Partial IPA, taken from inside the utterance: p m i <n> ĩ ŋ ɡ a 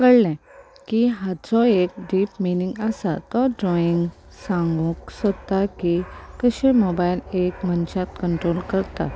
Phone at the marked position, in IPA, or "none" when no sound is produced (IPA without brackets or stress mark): n